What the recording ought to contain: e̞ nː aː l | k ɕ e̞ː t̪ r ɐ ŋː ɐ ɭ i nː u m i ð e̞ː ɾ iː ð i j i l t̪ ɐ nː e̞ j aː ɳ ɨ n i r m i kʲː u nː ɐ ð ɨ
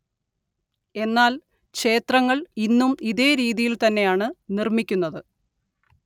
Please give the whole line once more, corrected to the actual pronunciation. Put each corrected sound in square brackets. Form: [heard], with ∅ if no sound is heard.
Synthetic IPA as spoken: e̞ nː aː l | k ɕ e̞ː t̪ r ɐ ŋː ɐ ɭ i nː u m i ð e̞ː ɾ iː ð i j i l t̪ ɐ nː e̞ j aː ɳ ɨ n i r m i kʲː u nː ɐ ð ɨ